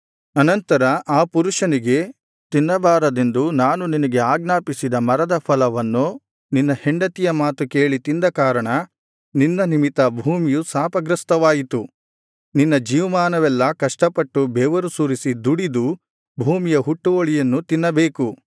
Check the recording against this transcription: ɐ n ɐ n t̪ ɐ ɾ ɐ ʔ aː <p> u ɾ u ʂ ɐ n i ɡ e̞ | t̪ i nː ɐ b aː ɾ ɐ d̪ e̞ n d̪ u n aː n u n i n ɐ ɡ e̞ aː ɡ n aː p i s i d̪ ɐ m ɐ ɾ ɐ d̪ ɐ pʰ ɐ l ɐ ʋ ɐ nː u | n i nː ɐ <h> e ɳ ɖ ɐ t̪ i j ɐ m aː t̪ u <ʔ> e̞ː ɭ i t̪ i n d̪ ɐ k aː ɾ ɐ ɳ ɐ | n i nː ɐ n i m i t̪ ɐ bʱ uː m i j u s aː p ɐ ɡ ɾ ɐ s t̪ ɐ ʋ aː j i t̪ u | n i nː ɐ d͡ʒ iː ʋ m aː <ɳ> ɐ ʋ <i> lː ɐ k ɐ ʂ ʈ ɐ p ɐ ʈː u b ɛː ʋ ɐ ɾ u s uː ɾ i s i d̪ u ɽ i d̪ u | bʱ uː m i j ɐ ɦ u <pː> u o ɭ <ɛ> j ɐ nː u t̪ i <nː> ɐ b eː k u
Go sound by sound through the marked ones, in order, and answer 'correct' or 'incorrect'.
correct, correct, incorrect: k, incorrect: n, incorrect: ɛ, incorrect: ʈː, incorrect: i, correct

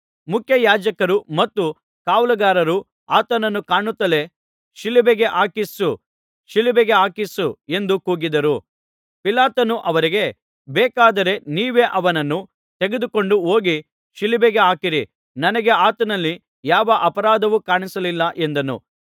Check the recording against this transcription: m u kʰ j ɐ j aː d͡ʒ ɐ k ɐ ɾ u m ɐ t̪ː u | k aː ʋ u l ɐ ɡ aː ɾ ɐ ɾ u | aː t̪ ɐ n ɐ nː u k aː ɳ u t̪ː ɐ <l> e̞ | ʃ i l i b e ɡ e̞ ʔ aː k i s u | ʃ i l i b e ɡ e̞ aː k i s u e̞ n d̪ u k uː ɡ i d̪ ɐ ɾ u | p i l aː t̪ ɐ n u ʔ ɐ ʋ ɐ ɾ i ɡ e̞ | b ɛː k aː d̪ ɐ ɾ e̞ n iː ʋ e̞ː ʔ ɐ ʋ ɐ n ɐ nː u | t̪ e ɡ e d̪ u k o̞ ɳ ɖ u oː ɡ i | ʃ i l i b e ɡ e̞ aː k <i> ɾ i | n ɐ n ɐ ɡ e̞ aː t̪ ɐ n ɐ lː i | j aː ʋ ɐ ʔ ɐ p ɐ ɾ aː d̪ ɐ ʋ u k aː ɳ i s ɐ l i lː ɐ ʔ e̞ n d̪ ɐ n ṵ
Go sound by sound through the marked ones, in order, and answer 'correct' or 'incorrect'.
correct, correct

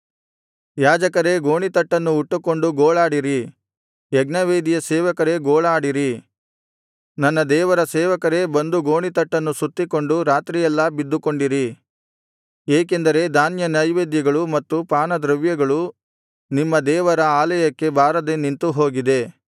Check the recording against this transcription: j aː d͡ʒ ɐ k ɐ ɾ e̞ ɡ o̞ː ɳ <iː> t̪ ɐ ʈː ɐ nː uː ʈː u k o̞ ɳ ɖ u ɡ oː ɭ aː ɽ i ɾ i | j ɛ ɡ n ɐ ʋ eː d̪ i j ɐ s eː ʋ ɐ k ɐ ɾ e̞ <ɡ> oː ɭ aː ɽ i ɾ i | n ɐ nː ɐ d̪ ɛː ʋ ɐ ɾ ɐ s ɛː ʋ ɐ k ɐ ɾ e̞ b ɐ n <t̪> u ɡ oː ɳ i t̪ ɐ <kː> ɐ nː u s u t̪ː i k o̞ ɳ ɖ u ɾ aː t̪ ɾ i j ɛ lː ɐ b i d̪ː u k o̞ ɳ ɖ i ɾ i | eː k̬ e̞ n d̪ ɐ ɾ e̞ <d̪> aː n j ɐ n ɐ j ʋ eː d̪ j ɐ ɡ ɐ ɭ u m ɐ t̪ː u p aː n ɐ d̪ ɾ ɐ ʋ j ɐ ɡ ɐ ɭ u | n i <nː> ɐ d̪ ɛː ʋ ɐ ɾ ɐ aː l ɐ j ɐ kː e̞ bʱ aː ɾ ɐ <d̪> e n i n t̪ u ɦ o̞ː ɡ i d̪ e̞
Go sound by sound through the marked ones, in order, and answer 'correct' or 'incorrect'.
incorrect: i, correct, incorrect: d̪, incorrect: ʈː, correct, incorrect: mː, correct

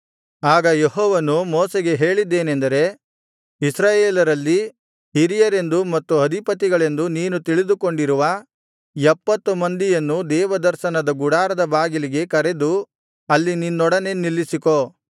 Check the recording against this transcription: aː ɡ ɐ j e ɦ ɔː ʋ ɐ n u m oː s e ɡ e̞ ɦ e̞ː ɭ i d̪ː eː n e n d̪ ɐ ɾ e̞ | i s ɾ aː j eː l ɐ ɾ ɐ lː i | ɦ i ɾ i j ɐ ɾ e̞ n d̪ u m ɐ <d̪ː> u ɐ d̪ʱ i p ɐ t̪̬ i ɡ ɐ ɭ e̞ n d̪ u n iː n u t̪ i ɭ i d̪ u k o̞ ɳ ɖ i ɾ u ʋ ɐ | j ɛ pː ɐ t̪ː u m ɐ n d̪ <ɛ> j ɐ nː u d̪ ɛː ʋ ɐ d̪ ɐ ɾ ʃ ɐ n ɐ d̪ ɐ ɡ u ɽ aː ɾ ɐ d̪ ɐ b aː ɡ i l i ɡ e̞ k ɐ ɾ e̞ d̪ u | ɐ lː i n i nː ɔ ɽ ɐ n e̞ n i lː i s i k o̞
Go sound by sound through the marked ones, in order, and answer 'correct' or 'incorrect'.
incorrect: t̪ː, incorrect: i

